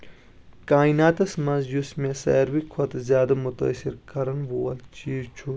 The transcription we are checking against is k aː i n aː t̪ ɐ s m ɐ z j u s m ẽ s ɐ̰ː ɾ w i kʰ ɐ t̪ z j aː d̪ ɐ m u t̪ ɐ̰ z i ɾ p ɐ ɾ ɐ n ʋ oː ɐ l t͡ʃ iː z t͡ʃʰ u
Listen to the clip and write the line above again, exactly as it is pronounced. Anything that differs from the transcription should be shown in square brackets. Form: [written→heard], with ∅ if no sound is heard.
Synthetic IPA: k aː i n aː t̪ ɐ s m ɐ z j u s m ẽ s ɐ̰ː ɾ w i kʰ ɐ t̪ z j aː d̪ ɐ m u t̪ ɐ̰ [z→s] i ɾ [p→k] ɐ ɾ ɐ n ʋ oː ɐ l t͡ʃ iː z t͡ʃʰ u